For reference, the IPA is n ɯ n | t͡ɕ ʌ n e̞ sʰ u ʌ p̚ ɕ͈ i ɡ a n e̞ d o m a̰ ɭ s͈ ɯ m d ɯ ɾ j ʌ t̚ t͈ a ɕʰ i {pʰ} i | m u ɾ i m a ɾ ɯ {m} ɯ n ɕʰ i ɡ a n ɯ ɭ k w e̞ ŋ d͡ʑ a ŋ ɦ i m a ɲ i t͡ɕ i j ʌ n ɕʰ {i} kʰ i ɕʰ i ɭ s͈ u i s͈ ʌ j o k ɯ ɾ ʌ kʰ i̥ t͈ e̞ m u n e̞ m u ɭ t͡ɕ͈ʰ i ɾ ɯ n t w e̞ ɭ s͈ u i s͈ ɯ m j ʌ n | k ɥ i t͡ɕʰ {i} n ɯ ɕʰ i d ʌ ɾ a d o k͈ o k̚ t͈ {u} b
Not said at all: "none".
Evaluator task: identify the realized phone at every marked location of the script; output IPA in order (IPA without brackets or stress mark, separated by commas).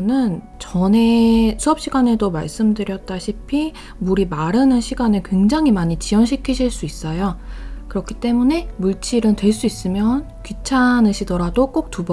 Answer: pʰ, n, i, a, u